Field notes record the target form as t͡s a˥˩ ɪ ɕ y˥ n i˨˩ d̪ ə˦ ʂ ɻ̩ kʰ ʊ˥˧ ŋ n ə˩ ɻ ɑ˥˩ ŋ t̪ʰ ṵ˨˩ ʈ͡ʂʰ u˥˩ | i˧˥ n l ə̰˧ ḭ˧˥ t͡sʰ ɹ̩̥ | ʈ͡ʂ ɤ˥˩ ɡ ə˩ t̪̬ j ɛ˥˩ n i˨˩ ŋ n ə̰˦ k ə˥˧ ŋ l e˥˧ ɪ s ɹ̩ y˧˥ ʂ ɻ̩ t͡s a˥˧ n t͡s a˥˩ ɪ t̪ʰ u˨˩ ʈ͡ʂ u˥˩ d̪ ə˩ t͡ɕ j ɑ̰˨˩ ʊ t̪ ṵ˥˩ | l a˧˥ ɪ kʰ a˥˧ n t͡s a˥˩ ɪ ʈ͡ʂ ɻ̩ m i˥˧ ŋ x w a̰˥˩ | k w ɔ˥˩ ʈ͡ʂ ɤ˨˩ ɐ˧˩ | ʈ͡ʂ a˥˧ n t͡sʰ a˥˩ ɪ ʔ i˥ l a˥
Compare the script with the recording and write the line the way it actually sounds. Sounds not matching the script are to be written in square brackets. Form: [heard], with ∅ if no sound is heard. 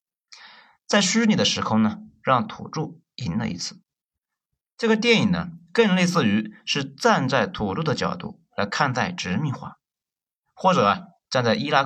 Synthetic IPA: t͡s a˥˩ ɪ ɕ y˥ n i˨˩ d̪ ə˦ ʂ ɻ̩ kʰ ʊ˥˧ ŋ n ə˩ ɻ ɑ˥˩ ŋ t̪ʰ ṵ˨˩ [ʈ͡ʂ] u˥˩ | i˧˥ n l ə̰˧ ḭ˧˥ t͡sʰ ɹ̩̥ | ʈ͡ʂ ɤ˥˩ ɡ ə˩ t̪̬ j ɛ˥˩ n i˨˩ ŋ n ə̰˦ k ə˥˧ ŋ l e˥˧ ɪ s ɹ̩ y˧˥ ʂ ɻ̩ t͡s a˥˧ n t͡s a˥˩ ɪ t̪ʰ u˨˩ ʈ͡ʂ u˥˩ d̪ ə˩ t͡ɕ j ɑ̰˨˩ ʊ t̪ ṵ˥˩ | l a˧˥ ɪ kʰ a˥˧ n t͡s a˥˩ ɪ ʈ͡ʂ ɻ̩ m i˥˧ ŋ x w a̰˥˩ | [x] w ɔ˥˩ ʈ͡ʂ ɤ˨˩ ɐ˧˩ | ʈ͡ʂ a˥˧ n [t͡s] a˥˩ ɪ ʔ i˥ l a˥